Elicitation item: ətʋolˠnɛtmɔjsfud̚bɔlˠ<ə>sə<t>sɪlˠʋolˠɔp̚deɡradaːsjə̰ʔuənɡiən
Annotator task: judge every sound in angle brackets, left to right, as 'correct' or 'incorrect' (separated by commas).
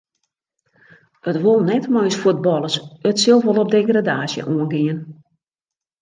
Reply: correct, correct